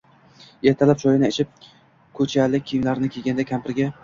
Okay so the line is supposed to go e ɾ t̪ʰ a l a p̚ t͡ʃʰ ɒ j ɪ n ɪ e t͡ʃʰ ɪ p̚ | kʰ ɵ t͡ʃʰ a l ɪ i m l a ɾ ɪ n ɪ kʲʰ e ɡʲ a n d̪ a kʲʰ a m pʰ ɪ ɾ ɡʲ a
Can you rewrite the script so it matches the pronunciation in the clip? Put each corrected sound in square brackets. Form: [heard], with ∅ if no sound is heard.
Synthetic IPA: e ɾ t̪ʰ a l a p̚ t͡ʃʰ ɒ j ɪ n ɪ e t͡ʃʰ ɪ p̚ | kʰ ɵ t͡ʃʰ a l ɪ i m l a ɾ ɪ n ɪ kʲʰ e ɡʲ a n d̪ a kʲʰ a m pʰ ɪ ɾ ɡʲ a